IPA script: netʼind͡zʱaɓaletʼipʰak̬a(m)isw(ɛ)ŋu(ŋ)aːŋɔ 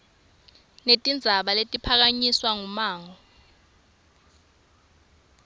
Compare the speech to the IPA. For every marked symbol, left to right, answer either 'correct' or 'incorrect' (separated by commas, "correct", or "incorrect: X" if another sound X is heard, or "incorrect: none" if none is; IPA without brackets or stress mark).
incorrect: ɲ, incorrect: a, incorrect: m